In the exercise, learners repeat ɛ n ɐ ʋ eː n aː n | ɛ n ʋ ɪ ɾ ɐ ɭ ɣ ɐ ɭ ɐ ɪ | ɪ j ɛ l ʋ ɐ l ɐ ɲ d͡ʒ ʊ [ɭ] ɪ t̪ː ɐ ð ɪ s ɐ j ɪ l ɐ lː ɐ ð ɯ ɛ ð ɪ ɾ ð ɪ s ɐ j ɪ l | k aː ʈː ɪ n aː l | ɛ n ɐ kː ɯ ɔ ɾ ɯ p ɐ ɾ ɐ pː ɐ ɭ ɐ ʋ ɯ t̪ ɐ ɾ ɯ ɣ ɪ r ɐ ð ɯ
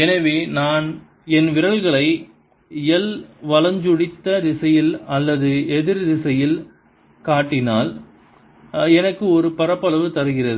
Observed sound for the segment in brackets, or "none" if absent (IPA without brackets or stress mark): ɽ